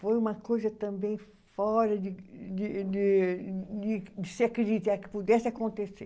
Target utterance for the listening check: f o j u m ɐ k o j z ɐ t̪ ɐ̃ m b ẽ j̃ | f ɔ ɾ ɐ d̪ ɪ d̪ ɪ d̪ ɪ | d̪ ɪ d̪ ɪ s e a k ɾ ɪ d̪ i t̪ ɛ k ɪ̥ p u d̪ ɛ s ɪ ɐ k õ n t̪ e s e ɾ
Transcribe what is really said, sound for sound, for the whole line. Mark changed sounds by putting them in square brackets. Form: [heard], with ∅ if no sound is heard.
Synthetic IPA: f o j u m ɐ k o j z ɐ t̪ ɐ̃ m b ẽ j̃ | f ɔ ɾ ɐ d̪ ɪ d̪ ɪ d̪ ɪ | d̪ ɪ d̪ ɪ s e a k ɾ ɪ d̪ i t̪ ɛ k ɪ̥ p u d̪ ɛ s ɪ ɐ k õ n t̪ e s e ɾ

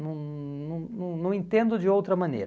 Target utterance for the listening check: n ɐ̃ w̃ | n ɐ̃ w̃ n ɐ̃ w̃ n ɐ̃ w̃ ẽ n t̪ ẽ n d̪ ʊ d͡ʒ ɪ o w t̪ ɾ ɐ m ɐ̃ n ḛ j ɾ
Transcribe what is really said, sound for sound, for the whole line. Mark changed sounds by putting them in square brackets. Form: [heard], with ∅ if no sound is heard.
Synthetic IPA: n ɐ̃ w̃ | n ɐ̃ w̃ n ɐ̃ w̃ n ɐ̃ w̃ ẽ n t̪ ẽ n d̪ ʊ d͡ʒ ɪ o w t̪ ɾ ɐ m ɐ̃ n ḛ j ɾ

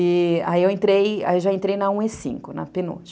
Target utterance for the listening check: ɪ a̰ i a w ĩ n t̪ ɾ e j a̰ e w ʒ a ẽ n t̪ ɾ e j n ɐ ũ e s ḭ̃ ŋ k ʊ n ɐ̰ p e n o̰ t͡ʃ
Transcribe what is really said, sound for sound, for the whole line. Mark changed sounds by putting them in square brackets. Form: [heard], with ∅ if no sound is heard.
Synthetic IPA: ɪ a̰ i [e] w [ẽ] n t̪ ɾ e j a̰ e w ʒ a ẽ n t̪ ɾ e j n ɐ ũ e s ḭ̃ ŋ k ʊ n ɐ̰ p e n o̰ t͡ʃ

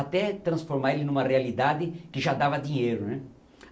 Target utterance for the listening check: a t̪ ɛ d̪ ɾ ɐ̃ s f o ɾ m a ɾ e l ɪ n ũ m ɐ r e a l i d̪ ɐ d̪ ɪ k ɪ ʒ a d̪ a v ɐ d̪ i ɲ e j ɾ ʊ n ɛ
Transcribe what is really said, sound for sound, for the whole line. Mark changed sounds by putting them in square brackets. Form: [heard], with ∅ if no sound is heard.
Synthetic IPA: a t̪ ɛ [t̪] ɾ ɐ̃ s f o ɾ m a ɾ e l ɪ n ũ m ɐ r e a l i d̪ [a] d̪ ɪ k ɪ ʒ a d̪ a v ɐ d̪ i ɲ e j ɾ ʊ n ɛ

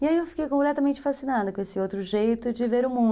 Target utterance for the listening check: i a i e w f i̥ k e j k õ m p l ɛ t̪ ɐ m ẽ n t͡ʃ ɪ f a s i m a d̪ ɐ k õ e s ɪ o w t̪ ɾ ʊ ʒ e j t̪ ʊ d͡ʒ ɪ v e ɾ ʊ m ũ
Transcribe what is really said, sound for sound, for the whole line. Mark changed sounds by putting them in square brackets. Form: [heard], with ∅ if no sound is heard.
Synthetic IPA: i a i e w f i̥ k e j k õ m p l ɛ t̪ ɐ m ẽ n t͡ʃ ɪ f a s i [n] a d̪ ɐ k õ e s ɪ o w t̪ ɾ ʊ ʒ e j t̪ ʊ d͡ʒ ɪ v e ɾ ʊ m ũ

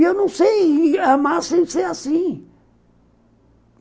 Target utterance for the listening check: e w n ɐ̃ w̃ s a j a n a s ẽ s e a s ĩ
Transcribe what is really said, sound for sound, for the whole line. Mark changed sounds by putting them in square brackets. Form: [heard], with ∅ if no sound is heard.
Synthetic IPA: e w n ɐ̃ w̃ s [e] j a [m] a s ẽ s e a s ĩ

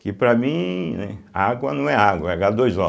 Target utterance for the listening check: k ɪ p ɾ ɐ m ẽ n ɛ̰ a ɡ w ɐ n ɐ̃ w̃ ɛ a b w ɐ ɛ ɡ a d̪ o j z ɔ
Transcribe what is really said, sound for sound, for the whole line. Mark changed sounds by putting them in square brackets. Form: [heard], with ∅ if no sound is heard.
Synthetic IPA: k ɪ p ɾ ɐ m [ĩ] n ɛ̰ a ɡ w ɐ n ɐ̃ w̃ ɛ a [ɡ] w ɐ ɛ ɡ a d̪ o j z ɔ

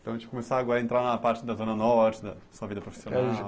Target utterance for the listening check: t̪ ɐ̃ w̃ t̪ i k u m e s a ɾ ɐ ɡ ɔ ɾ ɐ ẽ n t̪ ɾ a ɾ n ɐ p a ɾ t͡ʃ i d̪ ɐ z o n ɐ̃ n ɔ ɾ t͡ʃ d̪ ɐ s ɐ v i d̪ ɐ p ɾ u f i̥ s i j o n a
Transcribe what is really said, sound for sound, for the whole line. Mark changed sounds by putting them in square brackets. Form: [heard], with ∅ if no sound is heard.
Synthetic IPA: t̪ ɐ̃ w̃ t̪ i k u m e s a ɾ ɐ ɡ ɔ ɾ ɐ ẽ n t̪ ɾ a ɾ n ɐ p a ɾ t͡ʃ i d̪ ɐ z o n [ɐ] n ɔ ɾ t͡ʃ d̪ ɐ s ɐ v i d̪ ɐ p ɾ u f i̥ s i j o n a

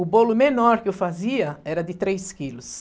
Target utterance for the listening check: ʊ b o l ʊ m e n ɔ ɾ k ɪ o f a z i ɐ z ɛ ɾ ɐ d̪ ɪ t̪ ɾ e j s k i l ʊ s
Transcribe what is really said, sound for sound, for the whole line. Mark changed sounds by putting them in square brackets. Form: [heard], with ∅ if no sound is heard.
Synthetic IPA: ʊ b o l ʊ m e n ɔ ɾ k ɪ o f a z i ɐ [∅] ɛ ɾ ɐ d̪ ɪ t̪ ɾ e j s k i l ʊ s

